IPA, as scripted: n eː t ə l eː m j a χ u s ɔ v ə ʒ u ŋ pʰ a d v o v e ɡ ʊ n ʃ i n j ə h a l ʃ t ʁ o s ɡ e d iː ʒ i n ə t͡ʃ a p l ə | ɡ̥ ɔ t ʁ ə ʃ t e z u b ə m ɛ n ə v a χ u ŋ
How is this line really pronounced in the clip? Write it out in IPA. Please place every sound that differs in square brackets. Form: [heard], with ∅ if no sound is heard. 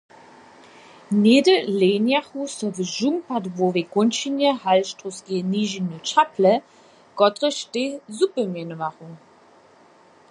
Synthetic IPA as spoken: n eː [d] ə l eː [n] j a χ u s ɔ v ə ʒ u ŋ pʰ a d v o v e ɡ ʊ n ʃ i n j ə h a l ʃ t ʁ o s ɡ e [n] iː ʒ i n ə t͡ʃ a p l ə | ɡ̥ ɔ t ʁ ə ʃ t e z u [p] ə m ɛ n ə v a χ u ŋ